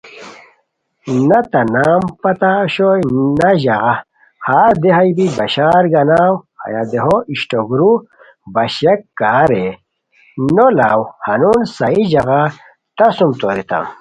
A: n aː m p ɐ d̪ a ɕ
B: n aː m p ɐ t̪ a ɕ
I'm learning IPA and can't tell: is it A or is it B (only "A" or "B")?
B